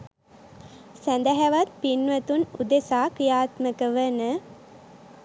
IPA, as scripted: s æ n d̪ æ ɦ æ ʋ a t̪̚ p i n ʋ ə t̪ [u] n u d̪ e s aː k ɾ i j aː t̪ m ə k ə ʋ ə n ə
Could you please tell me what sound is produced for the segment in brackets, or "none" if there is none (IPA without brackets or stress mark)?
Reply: u